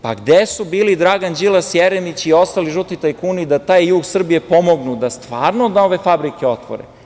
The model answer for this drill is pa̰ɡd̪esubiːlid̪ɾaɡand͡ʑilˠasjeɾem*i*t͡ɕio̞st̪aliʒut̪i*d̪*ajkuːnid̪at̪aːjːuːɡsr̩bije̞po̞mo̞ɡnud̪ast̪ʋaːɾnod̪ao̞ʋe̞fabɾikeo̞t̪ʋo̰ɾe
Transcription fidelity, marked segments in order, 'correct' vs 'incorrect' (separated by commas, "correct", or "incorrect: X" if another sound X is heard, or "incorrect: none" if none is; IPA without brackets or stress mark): correct, incorrect: t̪